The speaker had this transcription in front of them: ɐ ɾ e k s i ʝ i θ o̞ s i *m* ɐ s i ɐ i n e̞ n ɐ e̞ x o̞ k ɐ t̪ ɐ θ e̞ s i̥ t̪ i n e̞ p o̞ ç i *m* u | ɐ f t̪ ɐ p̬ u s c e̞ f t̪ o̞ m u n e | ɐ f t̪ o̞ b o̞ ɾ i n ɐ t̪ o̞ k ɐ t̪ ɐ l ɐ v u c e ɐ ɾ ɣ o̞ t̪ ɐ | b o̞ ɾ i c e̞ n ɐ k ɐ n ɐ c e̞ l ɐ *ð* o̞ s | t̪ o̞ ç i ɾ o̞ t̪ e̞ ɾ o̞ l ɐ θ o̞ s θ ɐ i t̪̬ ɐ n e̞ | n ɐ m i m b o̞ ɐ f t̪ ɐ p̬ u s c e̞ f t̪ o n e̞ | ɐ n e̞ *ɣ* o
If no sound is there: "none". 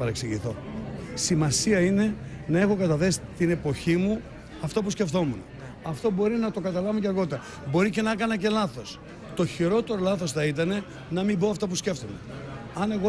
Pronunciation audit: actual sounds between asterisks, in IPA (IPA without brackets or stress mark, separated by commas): m, m, θ, ɣ